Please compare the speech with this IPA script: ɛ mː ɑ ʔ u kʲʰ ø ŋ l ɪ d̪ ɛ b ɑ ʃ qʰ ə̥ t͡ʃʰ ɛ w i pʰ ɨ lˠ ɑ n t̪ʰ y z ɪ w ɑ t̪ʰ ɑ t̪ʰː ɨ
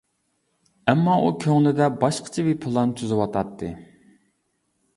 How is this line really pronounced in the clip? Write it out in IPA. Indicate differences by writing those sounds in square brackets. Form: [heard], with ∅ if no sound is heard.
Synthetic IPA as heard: ɛ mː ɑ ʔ u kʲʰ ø ŋ l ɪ d̪ ɛ b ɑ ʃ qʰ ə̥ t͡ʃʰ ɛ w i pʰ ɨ lˠ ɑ n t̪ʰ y z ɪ w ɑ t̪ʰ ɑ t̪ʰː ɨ